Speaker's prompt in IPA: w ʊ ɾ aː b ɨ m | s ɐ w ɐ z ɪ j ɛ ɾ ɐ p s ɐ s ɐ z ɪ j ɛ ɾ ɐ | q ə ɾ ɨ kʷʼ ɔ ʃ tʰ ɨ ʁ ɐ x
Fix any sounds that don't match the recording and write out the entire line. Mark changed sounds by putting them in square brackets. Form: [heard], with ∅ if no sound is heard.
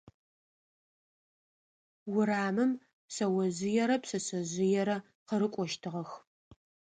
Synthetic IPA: w ʊ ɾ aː [m] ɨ m | s ɐ w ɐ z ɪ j ɛ ɾ ɐ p s ɐ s ɐ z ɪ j ɛ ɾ ɐ | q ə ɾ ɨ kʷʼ ɔ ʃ tʰ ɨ ʁ ɐ x

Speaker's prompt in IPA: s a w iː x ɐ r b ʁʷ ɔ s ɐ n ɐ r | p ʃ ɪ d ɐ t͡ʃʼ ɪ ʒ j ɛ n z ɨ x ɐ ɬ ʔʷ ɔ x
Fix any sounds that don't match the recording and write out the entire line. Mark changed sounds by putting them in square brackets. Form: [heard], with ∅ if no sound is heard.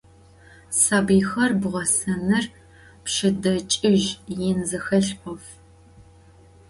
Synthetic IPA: s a [b] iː x ɐ r b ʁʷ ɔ s ɐ n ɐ r | p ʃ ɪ d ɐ t͡ʃʼ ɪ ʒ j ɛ n z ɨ x ɐ ɬ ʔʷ ɔ [f]

